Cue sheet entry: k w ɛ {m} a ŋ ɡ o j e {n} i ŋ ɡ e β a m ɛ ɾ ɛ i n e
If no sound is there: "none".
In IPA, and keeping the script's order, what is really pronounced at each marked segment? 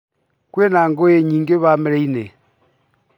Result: n, ɲ

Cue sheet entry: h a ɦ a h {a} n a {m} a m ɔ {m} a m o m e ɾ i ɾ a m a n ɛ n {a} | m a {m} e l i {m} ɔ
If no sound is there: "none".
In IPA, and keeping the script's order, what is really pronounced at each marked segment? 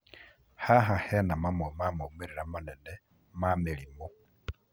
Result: ɛ, m, m, ɛ, m, m

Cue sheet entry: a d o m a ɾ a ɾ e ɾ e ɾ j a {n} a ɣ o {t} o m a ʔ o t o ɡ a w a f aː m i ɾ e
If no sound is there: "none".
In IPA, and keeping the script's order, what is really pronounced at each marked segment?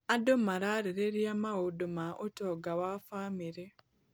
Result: m, d

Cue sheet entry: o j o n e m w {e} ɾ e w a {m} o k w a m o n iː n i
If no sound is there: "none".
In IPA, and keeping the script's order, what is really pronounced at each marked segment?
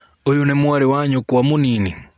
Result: a, ɲ

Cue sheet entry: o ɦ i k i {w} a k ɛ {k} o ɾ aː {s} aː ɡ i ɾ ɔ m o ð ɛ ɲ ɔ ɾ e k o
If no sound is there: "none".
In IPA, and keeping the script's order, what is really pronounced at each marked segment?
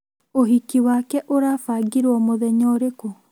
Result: w, ʔ, f

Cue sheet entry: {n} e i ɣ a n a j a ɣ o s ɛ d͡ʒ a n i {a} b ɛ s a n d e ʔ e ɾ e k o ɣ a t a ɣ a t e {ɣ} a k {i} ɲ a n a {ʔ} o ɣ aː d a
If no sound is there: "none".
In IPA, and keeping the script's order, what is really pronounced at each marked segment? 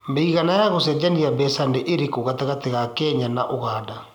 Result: m, a, ɣ, ɛ, ʔ

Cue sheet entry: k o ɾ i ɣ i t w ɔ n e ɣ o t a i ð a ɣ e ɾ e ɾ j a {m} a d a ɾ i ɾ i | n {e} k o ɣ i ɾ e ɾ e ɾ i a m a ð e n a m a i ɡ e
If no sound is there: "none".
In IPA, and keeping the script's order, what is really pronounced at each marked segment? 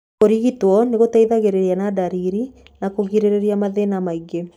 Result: n, a

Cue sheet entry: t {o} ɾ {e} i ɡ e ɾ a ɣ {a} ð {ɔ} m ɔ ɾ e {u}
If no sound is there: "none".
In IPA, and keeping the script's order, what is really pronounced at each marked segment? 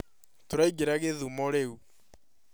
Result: o, a, e, u, u

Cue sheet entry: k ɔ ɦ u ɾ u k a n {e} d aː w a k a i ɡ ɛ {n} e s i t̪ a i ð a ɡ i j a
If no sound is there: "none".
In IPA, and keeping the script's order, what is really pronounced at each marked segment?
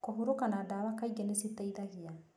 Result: a, n

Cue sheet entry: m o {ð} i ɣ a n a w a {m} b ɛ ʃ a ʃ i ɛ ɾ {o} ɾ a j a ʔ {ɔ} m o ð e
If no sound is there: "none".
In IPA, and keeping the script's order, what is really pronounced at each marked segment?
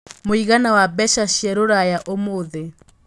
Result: none, none, o, o

